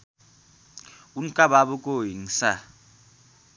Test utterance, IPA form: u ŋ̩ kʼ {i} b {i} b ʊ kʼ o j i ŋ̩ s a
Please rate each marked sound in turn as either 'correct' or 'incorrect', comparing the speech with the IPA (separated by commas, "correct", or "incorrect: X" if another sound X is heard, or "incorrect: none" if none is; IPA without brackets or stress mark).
incorrect: a, incorrect: a